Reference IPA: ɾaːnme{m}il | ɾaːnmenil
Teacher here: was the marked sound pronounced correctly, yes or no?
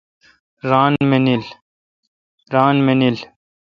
no